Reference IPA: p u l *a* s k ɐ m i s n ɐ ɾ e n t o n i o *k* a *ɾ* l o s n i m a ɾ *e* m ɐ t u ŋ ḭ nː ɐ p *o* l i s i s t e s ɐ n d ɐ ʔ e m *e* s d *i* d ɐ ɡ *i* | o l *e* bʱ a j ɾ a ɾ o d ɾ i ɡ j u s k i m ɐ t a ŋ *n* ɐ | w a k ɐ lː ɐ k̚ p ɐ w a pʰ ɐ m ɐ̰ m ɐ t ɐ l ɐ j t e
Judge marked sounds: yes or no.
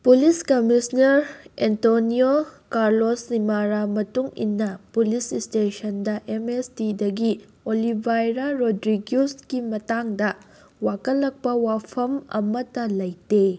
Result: no, yes, yes, no, no, yes, yes, yes, no, no

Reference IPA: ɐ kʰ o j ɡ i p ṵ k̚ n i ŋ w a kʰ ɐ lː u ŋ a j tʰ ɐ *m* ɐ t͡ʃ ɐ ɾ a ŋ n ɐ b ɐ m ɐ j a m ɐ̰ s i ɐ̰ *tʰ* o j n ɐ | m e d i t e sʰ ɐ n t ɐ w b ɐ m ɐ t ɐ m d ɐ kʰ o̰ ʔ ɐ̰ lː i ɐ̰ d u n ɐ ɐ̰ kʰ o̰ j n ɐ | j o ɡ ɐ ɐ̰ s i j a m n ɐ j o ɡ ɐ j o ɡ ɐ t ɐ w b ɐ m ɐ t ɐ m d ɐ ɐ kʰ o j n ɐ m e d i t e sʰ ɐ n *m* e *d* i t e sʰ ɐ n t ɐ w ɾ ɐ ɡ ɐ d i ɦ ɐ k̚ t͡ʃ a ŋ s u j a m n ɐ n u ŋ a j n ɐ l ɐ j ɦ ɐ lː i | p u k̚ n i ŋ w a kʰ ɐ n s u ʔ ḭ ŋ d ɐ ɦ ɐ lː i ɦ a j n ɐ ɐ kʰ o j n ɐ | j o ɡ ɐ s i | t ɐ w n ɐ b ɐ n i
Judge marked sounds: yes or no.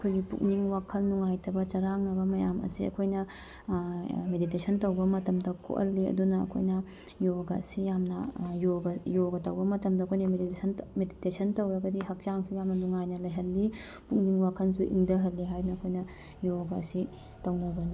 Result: no, no, yes, yes

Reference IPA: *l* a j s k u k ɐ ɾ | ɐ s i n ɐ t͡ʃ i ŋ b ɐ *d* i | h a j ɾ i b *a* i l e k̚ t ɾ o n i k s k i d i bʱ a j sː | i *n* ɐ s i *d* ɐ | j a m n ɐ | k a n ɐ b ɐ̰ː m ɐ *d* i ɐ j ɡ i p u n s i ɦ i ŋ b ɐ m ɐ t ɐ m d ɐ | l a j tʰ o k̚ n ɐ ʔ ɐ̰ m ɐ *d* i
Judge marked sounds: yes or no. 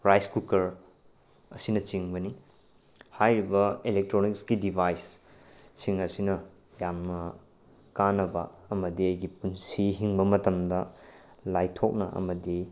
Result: no, no, no, no, no, yes, yes

